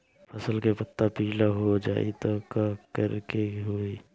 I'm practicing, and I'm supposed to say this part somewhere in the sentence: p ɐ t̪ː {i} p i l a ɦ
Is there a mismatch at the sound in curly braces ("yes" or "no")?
yes